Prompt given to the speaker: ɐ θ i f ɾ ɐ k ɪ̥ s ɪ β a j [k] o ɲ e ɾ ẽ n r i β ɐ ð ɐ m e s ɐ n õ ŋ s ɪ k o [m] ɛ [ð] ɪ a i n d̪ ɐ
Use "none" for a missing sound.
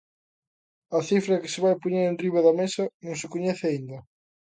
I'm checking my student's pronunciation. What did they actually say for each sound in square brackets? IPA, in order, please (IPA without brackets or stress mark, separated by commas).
p, ɲ, θ